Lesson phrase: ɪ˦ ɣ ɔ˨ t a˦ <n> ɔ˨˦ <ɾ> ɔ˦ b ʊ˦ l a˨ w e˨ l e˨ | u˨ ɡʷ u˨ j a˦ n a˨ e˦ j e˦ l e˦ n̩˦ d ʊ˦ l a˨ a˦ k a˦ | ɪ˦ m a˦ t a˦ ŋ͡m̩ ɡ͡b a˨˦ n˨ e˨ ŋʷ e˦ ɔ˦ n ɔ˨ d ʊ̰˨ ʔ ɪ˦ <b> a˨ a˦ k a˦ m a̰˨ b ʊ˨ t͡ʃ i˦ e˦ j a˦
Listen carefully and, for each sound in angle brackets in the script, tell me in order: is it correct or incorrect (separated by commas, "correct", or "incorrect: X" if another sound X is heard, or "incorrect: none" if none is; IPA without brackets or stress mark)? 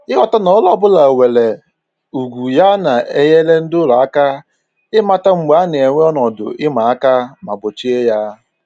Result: correct, incorrect: l, incorrect: m